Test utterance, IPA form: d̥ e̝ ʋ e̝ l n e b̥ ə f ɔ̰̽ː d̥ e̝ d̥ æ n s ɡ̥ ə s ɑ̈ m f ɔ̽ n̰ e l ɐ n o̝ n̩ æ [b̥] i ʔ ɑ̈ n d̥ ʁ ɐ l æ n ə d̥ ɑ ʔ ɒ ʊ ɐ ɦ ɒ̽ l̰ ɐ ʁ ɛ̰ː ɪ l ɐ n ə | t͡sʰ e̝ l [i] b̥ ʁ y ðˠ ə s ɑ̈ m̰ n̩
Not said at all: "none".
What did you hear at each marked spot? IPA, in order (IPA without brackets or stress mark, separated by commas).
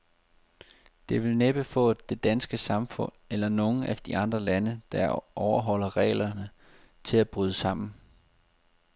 d̥, æ